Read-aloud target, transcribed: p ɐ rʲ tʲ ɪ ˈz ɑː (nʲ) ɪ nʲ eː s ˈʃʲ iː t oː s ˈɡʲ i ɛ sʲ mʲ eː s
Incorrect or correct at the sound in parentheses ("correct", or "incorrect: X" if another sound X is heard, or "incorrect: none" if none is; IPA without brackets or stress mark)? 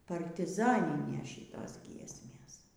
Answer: correct